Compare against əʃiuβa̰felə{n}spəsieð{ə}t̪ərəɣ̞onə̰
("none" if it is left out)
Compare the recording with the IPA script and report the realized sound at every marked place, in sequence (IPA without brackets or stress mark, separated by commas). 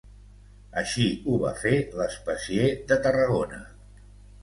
none, ə